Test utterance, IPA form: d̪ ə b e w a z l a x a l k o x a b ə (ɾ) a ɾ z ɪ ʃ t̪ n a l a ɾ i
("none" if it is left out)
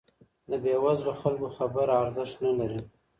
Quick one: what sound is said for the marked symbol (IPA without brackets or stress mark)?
ɾ